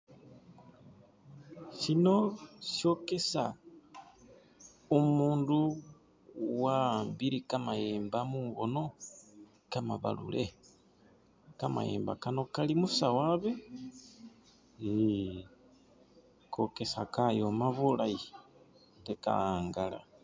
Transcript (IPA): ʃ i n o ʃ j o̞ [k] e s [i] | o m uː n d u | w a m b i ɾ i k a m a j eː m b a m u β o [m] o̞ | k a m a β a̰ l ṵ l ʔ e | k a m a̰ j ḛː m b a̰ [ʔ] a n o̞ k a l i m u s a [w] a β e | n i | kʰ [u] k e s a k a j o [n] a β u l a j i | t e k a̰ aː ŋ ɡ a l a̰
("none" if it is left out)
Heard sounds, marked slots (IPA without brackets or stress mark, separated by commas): k, a, n, k, w, o, m